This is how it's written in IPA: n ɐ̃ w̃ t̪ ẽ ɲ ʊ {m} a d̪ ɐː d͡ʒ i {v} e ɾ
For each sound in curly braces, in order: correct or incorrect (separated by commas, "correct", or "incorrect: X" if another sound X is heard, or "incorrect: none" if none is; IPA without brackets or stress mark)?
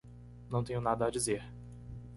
incorrect: n, incorrect: z